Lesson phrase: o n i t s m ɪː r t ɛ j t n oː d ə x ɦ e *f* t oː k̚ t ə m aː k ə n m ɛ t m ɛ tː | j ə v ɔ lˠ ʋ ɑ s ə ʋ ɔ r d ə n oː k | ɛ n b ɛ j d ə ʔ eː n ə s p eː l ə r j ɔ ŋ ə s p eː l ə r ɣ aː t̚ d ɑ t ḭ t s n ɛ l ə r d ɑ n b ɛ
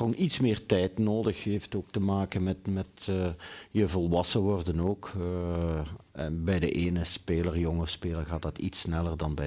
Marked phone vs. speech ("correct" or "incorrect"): correct